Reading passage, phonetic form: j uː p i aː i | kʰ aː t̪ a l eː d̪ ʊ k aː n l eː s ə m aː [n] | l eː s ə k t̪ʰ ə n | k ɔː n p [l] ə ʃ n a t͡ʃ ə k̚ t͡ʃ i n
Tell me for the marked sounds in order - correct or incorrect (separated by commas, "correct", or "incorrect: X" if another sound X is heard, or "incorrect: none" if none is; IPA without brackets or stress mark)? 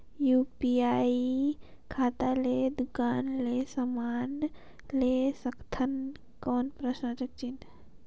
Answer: correct, incorrect: ɾ